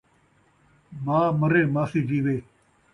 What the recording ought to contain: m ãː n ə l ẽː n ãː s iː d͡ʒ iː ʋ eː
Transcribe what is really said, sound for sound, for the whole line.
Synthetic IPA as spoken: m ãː m ə ɾ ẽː m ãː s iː d͡ʒ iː ʋ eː